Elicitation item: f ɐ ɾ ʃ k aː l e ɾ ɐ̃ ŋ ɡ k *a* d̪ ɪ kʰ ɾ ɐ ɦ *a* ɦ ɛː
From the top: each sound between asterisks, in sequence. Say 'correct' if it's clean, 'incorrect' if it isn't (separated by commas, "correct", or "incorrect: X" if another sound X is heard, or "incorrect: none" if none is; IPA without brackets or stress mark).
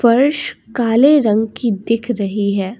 incorrect: i, incorrect: i